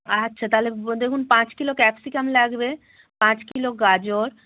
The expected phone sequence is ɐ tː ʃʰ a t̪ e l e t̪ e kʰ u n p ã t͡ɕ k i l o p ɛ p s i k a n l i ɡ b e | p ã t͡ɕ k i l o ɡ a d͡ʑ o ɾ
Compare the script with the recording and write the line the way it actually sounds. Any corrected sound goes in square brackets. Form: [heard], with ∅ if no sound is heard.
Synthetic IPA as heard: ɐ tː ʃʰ a t̪ [a] l e [d̪] e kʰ u n p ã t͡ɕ k i l o [k] ɛ p s i k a [m] l [a] ɡ b e | p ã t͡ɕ k i l o ɡ a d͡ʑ o ɾ